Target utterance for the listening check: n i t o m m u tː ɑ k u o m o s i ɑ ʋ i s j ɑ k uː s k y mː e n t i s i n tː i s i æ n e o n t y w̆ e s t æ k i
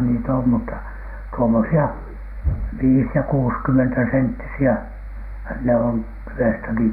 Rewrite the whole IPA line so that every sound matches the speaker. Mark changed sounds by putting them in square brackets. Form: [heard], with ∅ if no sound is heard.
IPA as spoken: n i t o m m u tː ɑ [t] u o m o s i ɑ ʋ [iː] s j ɑ k uː s k y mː e n t [æ] s [e] n tː i s i æ n e o n t y w̆ e s t æ k i